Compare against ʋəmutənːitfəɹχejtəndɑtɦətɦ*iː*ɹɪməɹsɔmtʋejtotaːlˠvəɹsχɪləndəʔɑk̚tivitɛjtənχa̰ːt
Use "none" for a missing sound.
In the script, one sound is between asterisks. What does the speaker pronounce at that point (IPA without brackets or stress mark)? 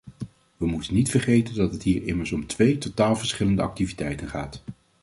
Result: iː